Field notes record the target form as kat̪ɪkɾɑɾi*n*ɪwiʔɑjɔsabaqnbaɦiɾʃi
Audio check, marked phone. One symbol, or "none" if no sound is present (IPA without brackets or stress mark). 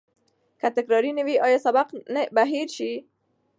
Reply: n